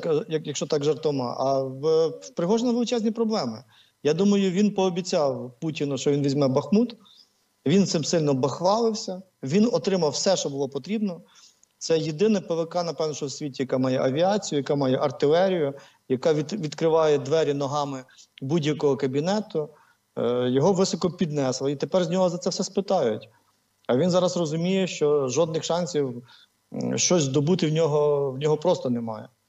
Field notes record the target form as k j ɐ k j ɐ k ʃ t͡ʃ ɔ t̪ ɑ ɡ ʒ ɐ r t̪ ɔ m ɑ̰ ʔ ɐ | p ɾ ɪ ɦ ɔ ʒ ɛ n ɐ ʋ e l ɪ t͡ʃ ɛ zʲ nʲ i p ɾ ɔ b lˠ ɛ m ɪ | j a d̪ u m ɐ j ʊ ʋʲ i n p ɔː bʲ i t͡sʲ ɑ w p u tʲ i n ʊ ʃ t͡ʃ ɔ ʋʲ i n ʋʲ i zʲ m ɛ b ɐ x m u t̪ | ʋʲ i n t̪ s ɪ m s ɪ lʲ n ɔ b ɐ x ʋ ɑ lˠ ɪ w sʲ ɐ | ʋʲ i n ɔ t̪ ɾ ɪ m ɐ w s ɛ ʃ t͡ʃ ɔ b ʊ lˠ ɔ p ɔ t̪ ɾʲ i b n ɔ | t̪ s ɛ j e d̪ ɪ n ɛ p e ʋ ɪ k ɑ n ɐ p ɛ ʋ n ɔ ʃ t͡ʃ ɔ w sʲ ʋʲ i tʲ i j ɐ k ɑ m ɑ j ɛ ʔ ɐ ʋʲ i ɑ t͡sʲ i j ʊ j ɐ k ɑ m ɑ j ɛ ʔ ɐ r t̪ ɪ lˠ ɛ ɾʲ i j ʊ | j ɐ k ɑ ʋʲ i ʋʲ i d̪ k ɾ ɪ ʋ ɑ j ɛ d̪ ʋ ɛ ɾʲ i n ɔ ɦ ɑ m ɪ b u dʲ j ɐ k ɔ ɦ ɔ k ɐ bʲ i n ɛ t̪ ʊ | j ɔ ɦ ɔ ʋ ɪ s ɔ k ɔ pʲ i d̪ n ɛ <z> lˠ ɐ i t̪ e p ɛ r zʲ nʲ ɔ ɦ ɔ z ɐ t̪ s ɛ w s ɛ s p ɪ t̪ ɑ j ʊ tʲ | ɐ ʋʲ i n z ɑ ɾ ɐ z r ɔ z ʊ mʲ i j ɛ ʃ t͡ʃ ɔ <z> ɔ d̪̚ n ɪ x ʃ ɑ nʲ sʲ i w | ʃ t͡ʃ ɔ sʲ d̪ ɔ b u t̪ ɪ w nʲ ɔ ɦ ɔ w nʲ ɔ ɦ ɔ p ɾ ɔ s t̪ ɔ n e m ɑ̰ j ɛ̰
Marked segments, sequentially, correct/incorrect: incorrect, incorrect

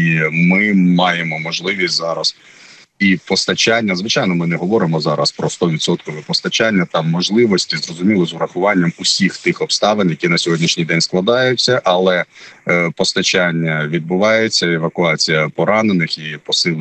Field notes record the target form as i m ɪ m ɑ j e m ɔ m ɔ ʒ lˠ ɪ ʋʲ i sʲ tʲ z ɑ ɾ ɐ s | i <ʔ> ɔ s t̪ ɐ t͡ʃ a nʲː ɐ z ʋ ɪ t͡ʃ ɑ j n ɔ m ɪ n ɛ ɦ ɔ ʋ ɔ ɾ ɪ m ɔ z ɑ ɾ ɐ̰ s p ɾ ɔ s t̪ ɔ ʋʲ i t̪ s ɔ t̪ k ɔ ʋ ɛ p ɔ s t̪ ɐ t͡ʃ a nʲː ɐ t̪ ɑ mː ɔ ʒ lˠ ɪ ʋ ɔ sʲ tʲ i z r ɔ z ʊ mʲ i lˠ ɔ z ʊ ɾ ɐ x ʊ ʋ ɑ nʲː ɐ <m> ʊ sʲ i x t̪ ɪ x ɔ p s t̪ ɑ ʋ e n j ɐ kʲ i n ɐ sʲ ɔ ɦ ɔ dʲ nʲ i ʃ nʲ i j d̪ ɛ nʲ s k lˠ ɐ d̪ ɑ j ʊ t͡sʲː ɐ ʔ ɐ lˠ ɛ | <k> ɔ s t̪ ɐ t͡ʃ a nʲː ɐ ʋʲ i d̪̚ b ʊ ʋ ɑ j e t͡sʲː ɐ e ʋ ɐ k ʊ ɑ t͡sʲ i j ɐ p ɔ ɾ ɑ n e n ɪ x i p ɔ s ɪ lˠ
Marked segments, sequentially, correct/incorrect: incorrect, correct, incorrect

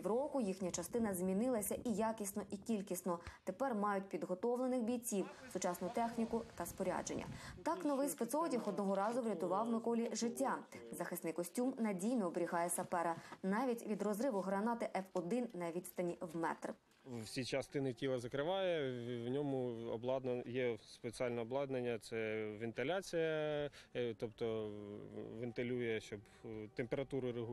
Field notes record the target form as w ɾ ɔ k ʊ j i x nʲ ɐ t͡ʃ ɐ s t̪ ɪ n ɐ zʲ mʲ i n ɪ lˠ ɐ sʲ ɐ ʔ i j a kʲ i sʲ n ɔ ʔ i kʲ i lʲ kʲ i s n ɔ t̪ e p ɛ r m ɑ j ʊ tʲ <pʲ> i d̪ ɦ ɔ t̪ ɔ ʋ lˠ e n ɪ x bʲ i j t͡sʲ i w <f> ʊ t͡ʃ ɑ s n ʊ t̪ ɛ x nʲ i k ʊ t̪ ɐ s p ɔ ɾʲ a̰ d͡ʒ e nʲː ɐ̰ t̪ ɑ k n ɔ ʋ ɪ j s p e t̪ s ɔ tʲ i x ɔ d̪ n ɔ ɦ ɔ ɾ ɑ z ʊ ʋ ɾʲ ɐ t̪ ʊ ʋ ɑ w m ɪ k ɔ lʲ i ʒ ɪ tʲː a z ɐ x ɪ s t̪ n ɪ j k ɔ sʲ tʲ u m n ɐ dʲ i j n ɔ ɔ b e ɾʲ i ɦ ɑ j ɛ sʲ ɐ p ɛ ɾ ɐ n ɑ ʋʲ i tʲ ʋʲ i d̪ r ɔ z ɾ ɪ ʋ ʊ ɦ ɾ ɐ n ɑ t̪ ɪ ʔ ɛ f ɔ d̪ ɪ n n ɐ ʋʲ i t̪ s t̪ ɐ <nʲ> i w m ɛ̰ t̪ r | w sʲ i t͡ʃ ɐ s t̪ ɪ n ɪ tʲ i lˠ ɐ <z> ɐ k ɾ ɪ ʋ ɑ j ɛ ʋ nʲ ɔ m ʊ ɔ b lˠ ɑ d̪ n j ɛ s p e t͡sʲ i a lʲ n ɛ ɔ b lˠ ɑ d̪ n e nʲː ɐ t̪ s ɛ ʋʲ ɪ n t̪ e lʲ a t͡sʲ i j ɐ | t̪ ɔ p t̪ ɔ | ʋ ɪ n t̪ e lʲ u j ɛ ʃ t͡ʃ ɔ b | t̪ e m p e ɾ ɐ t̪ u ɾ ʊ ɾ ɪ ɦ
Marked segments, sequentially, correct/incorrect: correct, incorrect, correct, correct

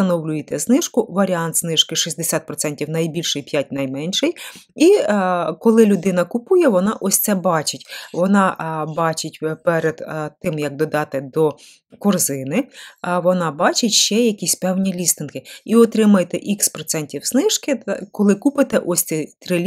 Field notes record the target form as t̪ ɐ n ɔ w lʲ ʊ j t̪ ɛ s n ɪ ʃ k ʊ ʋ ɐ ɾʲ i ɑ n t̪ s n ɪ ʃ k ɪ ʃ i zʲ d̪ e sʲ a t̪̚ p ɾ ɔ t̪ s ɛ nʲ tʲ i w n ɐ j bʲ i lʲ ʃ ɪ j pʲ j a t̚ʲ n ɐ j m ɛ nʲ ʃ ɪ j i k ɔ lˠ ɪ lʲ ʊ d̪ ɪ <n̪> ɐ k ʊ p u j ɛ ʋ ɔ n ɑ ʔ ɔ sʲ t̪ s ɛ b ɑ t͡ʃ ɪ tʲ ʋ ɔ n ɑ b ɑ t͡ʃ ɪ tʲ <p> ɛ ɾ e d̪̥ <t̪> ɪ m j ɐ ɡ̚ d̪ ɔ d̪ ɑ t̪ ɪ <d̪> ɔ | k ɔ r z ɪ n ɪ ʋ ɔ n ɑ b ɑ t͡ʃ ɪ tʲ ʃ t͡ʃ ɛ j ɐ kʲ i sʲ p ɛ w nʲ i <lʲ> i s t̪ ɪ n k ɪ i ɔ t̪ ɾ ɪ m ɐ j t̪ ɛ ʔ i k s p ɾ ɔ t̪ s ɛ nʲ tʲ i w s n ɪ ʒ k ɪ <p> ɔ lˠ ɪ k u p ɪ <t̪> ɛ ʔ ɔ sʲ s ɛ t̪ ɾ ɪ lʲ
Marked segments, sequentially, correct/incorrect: correct, correct, correct, correct, correct, incorrect, correct

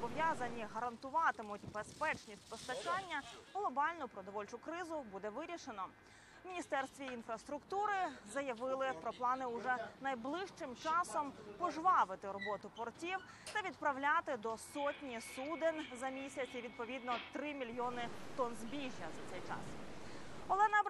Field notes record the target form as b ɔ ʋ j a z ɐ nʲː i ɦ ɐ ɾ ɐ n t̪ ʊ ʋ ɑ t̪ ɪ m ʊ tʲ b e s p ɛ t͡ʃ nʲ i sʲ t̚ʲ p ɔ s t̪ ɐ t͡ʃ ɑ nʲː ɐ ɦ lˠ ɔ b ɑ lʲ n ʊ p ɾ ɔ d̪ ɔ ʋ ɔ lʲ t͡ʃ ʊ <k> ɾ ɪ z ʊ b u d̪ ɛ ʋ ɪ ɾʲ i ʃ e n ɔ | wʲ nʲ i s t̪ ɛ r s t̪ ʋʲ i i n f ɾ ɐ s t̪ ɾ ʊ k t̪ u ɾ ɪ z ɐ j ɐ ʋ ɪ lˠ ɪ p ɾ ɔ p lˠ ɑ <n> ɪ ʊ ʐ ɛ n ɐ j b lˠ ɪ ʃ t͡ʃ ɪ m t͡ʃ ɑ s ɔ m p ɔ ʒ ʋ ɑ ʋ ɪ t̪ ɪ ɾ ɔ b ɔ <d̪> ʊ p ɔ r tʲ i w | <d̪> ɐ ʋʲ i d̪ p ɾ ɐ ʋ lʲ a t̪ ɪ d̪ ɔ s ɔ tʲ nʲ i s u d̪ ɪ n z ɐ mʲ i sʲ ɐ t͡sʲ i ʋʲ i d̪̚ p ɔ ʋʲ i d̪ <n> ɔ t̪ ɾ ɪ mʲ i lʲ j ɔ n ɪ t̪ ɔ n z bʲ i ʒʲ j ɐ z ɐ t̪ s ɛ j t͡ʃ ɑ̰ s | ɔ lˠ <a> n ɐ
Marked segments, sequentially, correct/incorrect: correct, correct, incorrect, incorrect, correct, incorrect

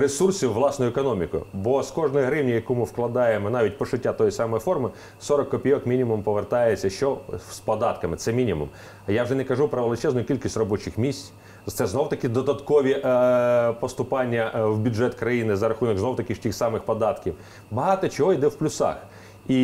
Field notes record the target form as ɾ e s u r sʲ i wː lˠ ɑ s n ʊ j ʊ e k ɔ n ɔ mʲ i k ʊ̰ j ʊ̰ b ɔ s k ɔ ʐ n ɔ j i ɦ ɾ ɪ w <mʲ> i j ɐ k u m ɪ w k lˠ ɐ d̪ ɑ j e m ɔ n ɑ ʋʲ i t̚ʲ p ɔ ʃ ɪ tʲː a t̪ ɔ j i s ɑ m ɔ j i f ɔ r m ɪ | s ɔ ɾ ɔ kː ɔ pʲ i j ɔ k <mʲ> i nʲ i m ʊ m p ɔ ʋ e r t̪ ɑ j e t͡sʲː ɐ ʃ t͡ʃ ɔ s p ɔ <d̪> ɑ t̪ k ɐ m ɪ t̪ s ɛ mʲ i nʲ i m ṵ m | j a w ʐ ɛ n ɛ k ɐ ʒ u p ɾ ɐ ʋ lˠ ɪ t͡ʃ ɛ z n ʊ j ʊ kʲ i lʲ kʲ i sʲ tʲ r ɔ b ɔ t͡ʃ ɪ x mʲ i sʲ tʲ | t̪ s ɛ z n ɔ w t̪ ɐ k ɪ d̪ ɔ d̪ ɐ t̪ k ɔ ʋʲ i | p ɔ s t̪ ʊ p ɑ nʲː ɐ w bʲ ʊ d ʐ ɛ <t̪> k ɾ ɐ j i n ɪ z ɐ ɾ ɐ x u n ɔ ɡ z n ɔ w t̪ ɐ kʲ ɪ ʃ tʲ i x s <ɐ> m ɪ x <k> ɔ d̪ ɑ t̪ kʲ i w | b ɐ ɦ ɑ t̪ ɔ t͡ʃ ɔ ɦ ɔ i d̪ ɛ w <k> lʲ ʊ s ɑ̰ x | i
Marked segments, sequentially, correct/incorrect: incorrect, correct, correct, correct, incorrect, incorrect, incorrect

